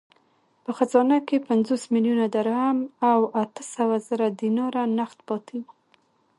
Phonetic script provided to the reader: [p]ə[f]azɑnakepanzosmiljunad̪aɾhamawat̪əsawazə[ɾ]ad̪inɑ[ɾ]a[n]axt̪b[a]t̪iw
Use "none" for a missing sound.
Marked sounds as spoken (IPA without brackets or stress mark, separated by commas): p, x, ɾ, ɾ, n, ɑ